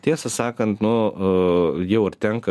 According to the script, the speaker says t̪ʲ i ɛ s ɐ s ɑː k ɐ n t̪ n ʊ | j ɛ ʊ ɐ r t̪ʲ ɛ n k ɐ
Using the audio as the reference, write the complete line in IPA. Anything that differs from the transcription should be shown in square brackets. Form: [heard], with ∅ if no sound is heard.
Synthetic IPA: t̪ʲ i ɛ s ɐ s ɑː k ɐ n t̪ n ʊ | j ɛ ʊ ɐ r t̪ʲ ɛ [ŋ] k ɐ